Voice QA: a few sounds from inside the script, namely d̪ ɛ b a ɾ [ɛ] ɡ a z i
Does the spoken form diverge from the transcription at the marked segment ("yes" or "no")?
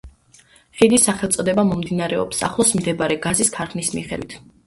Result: no